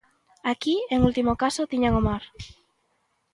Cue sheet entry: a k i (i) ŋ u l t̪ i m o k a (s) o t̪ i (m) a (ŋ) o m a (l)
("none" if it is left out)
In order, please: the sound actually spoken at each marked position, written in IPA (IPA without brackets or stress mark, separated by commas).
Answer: e, s, ɲ, ŋ, ɾ